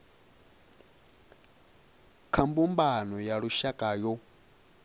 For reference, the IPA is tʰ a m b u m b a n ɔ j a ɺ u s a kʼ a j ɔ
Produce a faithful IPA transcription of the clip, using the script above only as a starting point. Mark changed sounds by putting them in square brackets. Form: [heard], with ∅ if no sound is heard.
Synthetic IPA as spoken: [kʰ] a m b u m b a n ɔ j a ɺ u [ʃ] a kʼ a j ɔ